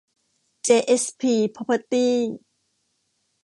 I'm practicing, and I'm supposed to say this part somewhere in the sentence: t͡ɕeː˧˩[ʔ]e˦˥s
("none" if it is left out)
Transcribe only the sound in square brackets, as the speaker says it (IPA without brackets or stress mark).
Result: ʔ